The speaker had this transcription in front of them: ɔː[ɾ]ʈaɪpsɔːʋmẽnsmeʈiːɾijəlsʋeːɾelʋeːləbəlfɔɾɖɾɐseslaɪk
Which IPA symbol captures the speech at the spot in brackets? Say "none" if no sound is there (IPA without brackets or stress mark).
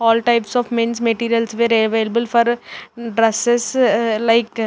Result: l